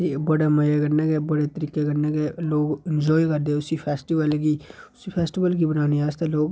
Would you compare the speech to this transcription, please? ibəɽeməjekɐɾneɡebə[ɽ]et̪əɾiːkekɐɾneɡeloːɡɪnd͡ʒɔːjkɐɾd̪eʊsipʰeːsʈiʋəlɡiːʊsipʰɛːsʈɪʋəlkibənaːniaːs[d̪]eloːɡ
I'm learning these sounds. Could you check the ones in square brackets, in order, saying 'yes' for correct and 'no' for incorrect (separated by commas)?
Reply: yes, no